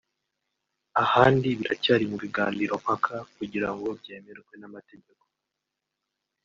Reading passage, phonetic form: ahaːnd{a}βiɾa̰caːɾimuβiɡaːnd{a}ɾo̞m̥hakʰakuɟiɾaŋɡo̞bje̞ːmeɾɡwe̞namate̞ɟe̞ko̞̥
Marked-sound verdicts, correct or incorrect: incorrect: i, incorrect: i

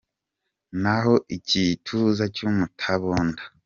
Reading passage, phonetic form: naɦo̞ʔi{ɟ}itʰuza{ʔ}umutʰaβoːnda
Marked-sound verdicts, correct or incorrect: incorrect: c, incorrect: c

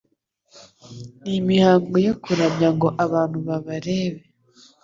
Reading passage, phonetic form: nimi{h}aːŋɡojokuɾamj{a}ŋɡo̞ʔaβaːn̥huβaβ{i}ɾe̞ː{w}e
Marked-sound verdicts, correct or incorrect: correct, correct, incorrect: a, incorrect: β

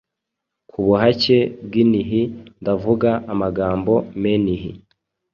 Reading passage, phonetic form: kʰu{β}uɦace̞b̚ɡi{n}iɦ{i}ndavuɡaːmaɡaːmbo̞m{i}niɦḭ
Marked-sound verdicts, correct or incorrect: correct, correct, correct, incorrect: e

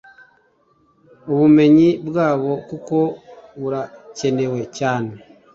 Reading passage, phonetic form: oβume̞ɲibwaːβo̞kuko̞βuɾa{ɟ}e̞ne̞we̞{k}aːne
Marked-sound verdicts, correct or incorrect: incorrect: c, incorrect: c

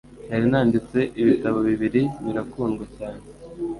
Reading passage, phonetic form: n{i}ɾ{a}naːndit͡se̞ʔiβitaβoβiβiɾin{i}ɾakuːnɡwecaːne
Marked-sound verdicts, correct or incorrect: incorrect: a, incorrect: i, correct

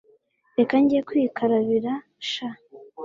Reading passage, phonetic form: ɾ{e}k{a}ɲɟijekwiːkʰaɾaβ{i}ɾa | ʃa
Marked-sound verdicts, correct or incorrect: correct, correct, correct

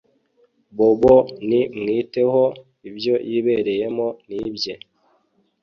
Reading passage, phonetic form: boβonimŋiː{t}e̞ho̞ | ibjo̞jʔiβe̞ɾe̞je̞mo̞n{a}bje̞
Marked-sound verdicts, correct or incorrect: correct, incorrect: i

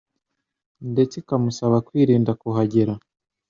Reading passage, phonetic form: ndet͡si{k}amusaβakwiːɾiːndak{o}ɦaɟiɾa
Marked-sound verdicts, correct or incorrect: correct, incorrect: u

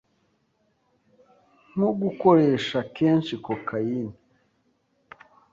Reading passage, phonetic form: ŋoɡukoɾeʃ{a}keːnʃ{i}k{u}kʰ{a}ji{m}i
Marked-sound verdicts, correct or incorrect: correct, correct, incorrect: o, correct, incorrect: n

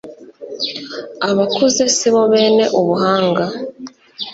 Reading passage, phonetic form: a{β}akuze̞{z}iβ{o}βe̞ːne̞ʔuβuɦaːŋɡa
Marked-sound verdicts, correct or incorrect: correct, incorrect: s, correct

